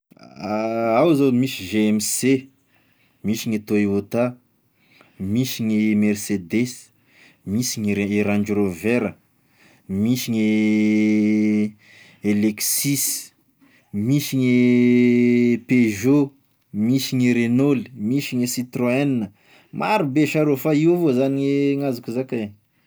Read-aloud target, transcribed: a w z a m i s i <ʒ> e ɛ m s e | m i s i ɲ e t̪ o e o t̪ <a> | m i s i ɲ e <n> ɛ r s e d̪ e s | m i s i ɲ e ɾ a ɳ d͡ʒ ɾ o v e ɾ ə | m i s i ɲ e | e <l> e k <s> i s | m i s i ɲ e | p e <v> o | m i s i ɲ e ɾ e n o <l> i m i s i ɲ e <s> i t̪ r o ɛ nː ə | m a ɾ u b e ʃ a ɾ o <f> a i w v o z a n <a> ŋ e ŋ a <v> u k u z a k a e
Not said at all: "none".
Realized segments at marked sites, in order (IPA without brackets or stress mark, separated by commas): ʒ, a, m, l, s, ʒ, l, s, f, i, z